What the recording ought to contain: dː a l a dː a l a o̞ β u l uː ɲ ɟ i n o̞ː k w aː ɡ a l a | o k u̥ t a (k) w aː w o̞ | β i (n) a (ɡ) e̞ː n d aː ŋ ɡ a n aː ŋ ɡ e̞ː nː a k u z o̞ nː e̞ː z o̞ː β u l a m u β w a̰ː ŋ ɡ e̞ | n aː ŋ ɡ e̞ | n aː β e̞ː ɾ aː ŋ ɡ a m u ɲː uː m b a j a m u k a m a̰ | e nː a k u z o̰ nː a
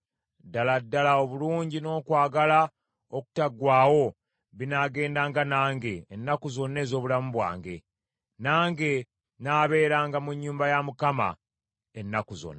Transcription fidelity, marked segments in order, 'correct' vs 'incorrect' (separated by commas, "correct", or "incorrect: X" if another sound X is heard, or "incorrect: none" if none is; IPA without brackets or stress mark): incorrect: ɡ, correct, correct